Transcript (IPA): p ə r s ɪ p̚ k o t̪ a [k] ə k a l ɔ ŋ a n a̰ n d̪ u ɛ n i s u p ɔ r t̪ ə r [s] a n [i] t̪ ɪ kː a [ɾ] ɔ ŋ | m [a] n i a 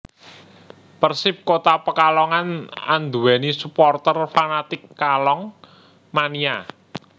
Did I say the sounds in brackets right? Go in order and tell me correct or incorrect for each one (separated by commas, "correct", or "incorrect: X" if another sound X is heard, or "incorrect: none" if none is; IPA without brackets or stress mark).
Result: incorrect: p, incorrect: f, incorrect: a, incorrect: l, correct